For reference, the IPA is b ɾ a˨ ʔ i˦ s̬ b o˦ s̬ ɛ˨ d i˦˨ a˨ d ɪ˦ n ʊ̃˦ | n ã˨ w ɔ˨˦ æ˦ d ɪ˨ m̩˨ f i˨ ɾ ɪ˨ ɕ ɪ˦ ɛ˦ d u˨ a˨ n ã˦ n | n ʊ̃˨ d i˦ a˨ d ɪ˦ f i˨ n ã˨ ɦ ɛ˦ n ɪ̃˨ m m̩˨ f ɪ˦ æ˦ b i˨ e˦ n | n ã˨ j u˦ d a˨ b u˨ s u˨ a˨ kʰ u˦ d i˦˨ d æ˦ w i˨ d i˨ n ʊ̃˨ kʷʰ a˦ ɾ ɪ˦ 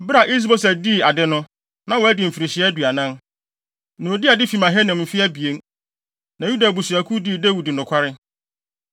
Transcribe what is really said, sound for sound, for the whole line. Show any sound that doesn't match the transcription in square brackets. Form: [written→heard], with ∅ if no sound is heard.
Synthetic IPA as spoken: b ɾ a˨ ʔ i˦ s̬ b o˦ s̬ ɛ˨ d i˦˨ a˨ d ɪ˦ n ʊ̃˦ | n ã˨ w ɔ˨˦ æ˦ d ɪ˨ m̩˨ f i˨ ɾ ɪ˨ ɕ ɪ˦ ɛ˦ d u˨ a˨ n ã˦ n | n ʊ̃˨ d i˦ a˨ d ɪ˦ f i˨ [n→m] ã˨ ɦ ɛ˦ n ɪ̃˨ m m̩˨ f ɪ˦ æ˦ b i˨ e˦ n | n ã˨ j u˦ d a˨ b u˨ s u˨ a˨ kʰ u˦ d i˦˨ d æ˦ w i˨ d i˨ n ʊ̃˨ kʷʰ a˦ ɾ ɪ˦